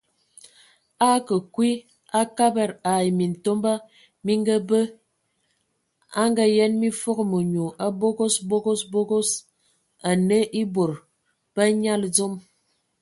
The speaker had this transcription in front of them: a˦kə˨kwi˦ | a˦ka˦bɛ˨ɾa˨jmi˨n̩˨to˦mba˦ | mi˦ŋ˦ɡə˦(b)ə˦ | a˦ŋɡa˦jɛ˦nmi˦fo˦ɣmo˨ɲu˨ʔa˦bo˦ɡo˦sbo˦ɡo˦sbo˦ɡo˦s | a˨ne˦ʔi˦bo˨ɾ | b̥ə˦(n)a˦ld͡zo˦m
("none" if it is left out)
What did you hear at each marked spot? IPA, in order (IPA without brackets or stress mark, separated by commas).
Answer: b, ɲ